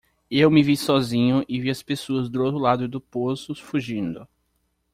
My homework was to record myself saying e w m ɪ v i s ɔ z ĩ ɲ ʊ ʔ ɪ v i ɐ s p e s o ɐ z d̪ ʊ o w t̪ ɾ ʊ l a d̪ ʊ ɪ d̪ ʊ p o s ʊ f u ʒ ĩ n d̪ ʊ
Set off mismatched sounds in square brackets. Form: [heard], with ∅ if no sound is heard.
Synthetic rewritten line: e w m ɪ v i s ɔ z ĩ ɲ ʊ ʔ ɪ v i ɐ s p e s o ɐ z d̪ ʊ o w t̪ ɾ ʊ l a d̪ ʊ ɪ d̪ ʊ p o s ʊ f u ʒ ĩ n d̪ ʊ